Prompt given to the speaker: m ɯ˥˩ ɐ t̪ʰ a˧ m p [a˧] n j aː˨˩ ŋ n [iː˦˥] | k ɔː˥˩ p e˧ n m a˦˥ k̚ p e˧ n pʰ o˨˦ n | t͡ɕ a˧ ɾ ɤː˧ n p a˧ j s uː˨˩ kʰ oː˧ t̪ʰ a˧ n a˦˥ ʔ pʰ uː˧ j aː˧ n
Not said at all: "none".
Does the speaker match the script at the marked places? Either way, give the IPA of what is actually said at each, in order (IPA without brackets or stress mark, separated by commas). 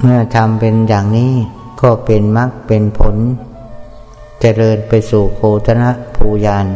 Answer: e˧, iː˦˥